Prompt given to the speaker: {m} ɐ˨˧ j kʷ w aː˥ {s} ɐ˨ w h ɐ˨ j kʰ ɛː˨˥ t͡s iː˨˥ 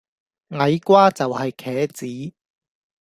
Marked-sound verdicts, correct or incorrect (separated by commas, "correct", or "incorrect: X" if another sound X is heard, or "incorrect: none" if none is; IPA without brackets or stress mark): incorrect: ŋ, incorrect: t͡s